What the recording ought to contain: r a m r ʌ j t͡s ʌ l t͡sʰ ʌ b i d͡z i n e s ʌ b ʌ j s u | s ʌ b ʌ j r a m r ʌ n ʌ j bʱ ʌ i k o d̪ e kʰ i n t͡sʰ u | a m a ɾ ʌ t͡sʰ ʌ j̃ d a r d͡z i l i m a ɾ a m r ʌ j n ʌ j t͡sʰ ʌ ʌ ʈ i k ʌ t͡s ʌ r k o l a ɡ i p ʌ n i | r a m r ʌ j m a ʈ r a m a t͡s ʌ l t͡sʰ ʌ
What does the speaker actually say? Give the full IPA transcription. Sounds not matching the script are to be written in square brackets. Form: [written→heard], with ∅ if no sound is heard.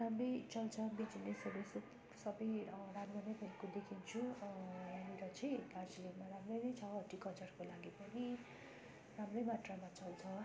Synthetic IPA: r a m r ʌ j t͡s ʌ l t͡sʰ ʌ b i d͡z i n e s ʌ b ʌ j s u | s ʌ b ʌ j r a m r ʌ n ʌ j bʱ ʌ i k o d̪ e kʰ i n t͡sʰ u | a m [a→i] ɾ ʌ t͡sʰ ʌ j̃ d a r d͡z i l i m a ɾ a m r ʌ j n ʌ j t͡sʰ ʌ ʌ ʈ i k ʌ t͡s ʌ r k o l a ɡ i p ʌ n i | r a m r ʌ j m a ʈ r a m a t͡s ʌ l t͡sʰ ʌ